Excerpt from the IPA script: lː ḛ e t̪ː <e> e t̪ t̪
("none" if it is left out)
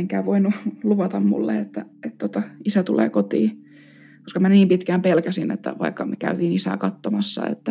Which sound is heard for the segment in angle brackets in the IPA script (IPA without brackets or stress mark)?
æ